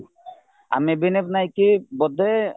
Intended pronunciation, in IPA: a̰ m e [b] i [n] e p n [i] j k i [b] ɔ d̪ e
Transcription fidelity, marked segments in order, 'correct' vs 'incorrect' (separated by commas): correct, correct, incorrect, correct